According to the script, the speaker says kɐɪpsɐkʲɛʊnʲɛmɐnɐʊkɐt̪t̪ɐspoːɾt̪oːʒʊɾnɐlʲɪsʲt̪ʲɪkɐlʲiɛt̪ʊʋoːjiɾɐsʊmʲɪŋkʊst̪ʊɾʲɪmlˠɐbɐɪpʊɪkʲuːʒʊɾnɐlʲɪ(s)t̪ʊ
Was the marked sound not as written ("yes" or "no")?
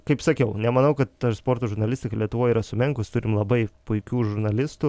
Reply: no